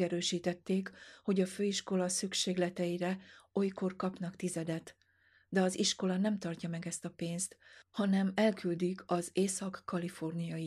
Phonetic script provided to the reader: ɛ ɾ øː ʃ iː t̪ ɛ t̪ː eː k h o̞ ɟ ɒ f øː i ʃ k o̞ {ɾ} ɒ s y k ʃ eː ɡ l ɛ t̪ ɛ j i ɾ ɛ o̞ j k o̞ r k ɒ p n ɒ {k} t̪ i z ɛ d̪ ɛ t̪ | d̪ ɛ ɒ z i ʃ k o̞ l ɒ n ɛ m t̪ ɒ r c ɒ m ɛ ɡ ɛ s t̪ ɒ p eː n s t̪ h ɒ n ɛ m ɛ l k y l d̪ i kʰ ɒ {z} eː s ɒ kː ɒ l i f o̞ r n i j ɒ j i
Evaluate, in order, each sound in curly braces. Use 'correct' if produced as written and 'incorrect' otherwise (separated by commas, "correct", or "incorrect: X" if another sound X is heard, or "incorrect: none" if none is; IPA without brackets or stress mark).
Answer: incorrect: l, correct, correct